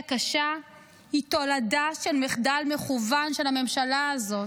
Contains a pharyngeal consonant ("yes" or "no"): no